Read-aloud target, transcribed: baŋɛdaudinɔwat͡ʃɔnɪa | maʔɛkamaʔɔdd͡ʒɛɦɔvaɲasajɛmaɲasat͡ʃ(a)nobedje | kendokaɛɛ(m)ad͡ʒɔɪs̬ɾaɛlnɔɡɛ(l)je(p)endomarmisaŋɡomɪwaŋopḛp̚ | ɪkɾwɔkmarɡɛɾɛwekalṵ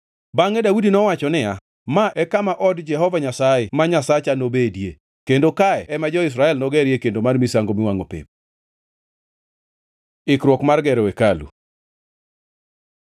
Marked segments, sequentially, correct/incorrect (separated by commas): correct, correct, incorrect, incorrect